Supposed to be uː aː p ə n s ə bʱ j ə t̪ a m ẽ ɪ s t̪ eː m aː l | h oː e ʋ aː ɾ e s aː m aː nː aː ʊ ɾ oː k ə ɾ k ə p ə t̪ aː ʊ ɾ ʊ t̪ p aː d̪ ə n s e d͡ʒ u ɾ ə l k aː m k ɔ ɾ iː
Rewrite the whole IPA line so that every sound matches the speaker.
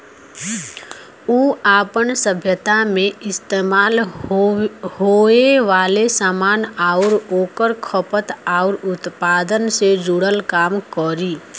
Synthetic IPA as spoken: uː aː p ə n s ə bʱ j ə t̪ a m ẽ ɪ s t̪ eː m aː l | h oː e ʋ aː l e s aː m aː n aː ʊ ɾ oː k ə ɾ kʰ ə p ə t̪ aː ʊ ɾ ʊ t̪ p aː d̪ ə n s e d͡ʒ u ɽ ə l k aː m k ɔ ɾ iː